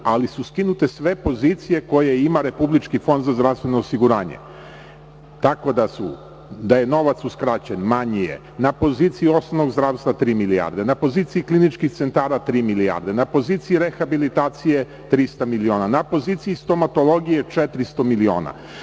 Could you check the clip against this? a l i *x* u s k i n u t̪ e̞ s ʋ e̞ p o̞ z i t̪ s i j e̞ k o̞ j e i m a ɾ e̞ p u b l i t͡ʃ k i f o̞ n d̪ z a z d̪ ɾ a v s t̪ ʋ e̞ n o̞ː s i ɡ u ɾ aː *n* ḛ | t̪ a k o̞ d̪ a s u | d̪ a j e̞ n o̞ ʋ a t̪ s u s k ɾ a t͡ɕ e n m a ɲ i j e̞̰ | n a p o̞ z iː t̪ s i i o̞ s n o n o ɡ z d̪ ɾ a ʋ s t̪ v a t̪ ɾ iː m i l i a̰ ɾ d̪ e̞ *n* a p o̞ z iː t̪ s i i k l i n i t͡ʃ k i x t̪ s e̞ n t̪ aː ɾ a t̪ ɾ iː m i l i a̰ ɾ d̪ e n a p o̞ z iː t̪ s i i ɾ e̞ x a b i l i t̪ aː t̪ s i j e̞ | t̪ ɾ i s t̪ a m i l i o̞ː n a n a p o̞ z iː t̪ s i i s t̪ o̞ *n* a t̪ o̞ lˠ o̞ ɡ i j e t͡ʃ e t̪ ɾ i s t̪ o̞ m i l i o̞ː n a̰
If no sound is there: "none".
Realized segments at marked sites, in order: s, ɲ, n, m

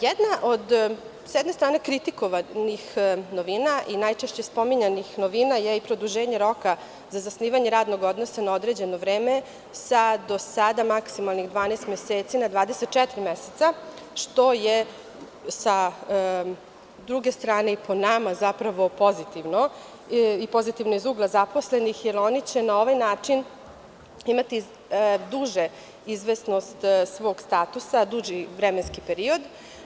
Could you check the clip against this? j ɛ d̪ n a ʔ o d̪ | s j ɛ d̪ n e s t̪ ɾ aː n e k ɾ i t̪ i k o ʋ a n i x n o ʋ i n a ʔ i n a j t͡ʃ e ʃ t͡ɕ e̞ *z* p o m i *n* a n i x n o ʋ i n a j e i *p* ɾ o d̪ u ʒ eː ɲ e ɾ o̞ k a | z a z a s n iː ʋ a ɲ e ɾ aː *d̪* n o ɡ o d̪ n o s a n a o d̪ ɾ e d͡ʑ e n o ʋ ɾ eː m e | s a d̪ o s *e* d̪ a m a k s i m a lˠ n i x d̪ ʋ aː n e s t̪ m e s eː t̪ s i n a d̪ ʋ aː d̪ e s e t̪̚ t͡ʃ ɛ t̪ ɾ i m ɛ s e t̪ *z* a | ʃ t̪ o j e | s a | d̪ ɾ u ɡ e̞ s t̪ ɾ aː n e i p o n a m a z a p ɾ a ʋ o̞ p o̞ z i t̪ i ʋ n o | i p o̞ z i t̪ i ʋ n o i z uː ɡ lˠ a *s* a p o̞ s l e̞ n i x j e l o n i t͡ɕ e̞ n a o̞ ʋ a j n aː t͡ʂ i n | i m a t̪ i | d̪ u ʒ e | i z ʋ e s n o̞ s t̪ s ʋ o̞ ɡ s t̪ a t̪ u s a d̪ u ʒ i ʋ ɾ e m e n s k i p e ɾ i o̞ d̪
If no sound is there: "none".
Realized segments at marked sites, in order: s, ɲ, p, d̪, a, s, z

